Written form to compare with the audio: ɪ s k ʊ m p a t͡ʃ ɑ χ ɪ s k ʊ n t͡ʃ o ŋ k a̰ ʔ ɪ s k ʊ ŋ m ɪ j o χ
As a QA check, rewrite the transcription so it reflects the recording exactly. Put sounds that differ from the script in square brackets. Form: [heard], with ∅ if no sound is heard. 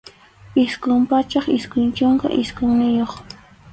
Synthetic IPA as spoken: ɪ s k ʊ m p a t͡ʃ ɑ χ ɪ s k ʊ n t͡ʃ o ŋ k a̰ ʔ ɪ s k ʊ ŋ [n] ɪ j o χ